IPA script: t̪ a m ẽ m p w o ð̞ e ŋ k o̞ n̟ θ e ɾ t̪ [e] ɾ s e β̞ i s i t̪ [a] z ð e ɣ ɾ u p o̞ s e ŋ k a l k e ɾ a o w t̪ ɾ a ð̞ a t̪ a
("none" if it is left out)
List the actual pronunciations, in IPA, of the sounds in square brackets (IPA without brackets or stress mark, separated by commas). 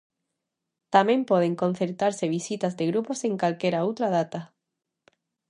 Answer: a, a